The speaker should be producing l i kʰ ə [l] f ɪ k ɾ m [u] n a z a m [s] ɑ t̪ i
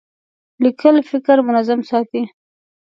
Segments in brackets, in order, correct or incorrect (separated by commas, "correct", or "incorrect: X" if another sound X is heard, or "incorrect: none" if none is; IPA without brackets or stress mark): correct, incorrect: ʊ, correct